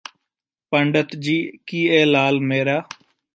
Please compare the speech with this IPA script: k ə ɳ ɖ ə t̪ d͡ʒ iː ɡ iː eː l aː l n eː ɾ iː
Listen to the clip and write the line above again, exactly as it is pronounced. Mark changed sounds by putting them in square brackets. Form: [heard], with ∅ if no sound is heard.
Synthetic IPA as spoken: [p] ə ɳ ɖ ə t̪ d͡ʒ iː [k] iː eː l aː l [m] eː ɾ [aː]

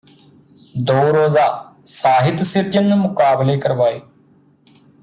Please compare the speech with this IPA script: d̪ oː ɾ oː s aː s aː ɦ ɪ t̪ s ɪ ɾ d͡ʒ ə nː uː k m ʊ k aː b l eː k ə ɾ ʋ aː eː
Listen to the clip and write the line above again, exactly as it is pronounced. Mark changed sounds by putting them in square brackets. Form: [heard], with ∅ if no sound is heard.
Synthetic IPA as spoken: d̪ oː ɾ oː [z] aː s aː ɦ ɪ t̪ s ɪ ɾ d͡ʒ ə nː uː [∅] m ʊ k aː b l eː k ə ɾ ʋ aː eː

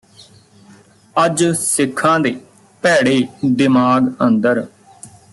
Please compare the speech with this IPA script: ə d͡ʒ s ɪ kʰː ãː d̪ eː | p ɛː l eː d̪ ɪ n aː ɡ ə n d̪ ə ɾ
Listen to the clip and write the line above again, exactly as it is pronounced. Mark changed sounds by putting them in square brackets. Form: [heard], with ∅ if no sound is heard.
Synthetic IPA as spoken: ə d͡ʒ s ɪ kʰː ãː d̪ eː | p ɛː [ɽ] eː d̪ ɪ [m] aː ɡ ə n d̪ ə ɾ

